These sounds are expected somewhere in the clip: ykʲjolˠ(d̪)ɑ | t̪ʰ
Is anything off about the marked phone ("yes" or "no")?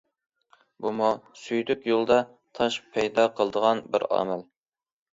no